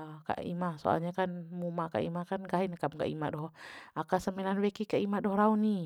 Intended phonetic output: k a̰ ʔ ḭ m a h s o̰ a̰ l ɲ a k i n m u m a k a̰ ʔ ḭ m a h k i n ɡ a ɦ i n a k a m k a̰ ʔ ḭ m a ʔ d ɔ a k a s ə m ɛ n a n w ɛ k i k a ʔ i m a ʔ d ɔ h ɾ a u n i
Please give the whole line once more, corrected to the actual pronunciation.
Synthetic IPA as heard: k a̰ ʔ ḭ m a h s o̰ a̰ l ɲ a k a n m u m a k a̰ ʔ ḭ m a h k a n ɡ a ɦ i n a k a m k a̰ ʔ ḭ m a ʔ d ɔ a k a s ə m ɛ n a n w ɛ k i k a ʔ i m a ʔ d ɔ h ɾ a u n i